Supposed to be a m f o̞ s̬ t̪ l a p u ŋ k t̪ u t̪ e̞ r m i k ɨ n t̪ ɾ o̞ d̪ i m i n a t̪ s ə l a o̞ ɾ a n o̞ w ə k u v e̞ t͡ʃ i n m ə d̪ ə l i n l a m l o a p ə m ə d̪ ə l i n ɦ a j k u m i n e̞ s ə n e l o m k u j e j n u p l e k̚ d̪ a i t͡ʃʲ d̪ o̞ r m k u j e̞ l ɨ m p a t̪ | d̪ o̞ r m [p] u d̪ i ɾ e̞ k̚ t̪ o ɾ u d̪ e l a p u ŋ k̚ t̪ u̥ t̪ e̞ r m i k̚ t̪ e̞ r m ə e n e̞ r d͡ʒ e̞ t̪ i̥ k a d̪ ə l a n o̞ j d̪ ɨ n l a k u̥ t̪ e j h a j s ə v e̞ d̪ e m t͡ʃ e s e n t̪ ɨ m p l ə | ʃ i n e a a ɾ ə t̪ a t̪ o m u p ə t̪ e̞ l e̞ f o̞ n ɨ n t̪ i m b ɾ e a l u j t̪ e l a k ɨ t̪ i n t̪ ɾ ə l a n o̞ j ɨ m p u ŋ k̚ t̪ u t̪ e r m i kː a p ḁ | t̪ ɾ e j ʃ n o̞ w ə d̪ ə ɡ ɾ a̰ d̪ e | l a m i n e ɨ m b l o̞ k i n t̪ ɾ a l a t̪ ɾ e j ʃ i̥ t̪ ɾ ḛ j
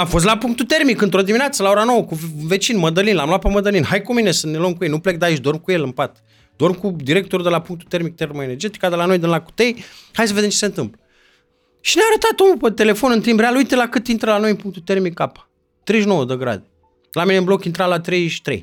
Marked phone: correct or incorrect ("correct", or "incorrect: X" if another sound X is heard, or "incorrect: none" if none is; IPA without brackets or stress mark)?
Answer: incorrect: k